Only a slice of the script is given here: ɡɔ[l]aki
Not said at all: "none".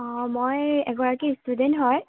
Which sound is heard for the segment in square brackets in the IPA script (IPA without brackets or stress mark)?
ɹ